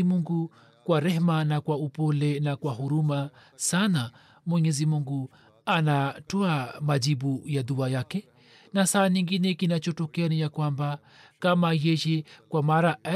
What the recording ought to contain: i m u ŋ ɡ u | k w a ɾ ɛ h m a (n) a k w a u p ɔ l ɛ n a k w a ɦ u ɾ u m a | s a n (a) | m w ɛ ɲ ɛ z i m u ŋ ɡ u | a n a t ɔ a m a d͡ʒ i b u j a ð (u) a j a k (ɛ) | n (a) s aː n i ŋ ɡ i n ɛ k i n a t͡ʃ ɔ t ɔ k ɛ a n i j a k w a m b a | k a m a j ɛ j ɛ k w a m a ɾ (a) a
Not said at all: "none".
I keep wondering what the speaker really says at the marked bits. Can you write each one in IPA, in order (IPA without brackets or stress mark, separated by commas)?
n, a, u, ɛ, a, a